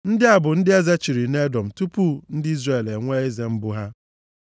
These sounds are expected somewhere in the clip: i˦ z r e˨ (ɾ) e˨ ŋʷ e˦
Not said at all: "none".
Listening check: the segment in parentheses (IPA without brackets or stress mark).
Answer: l